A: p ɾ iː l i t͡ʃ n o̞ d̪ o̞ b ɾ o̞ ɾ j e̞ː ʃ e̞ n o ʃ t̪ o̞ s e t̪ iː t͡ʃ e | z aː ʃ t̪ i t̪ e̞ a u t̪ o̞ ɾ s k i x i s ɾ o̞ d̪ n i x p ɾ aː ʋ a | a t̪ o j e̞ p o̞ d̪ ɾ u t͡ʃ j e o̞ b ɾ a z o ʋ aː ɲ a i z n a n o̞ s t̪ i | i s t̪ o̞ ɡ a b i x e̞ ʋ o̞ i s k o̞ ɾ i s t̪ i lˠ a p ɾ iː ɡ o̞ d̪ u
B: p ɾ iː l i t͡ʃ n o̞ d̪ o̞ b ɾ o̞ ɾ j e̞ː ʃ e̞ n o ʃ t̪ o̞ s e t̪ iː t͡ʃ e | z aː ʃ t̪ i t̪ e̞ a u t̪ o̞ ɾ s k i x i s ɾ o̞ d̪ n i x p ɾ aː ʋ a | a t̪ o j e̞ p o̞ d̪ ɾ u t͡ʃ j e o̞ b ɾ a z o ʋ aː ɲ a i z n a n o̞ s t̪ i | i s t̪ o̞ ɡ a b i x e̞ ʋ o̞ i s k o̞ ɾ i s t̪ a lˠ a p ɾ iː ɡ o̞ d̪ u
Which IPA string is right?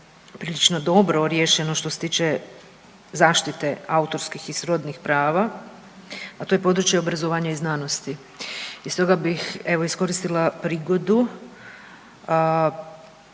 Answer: A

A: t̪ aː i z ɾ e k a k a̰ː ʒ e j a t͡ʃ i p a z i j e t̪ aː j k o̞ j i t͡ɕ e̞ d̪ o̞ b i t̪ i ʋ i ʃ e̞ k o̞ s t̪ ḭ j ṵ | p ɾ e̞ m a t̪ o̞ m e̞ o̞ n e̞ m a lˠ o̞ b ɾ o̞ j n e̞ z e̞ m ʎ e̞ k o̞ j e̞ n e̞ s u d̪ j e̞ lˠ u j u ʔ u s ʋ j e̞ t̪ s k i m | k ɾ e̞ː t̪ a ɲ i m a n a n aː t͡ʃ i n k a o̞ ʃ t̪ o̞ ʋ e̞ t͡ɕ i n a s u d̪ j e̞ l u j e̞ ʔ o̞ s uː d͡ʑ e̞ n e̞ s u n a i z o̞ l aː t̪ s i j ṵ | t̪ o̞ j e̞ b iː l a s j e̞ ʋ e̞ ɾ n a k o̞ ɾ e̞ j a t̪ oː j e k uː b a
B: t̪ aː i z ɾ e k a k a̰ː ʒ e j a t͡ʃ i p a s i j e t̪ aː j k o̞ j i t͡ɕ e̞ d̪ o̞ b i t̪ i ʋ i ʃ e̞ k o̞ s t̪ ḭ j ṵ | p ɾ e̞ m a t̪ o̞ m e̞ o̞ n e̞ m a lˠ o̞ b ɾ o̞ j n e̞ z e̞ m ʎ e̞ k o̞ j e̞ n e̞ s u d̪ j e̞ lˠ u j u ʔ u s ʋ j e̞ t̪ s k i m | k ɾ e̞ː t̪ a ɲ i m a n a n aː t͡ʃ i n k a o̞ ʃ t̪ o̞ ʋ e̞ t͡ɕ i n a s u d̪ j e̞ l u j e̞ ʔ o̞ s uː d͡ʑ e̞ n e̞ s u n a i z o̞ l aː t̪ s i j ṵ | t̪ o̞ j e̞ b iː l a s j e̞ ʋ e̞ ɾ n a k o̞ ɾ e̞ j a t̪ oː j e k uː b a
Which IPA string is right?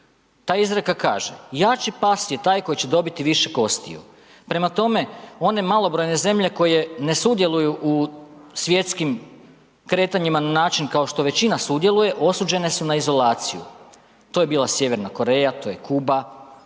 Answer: B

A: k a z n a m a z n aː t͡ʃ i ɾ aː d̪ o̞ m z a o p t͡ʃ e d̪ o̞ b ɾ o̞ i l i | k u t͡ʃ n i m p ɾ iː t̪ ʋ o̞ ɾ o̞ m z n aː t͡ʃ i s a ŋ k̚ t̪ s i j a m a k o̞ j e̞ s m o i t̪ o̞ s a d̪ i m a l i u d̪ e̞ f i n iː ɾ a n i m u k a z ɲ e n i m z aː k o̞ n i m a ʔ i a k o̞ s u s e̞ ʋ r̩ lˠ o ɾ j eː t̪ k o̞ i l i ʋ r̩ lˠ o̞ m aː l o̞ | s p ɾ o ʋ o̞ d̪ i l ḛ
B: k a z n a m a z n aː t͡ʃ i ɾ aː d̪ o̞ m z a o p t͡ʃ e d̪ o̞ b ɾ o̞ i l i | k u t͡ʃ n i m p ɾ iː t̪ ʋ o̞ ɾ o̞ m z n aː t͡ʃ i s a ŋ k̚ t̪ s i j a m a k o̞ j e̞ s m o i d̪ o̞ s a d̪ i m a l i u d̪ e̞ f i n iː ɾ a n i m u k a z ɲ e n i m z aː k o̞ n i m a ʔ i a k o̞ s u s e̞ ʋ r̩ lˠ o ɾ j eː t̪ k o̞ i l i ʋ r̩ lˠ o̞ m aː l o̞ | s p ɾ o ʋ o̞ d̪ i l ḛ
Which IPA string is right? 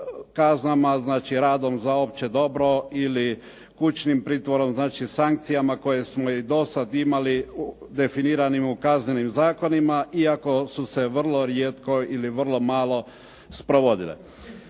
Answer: B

